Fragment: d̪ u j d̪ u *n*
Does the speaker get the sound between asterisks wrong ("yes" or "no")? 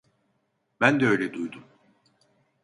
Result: yes